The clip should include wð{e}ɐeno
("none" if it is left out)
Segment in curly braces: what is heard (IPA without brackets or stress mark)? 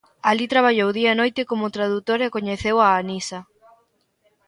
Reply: i